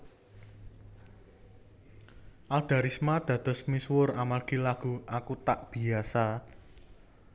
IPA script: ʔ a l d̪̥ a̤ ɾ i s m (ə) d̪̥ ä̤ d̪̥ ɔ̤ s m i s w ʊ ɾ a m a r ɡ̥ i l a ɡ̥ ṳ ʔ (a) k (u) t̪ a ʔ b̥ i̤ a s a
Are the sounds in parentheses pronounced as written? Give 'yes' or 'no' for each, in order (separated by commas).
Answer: no, yes, yes